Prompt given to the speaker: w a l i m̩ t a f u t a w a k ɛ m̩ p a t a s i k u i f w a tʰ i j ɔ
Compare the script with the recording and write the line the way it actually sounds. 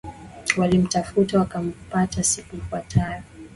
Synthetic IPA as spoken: w a l i m̩ t a f u t a w a k a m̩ p a t a s i k u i f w a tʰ a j ɔ